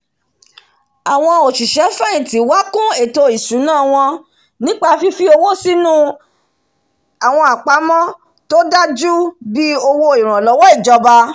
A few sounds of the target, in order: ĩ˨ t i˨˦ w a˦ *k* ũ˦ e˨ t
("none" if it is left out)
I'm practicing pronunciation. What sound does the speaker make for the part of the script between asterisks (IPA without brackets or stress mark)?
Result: k